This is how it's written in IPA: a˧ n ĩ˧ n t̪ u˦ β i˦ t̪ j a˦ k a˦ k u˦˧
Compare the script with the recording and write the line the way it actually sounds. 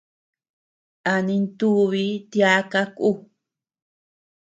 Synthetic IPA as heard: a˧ n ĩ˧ n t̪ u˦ β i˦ t̪ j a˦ k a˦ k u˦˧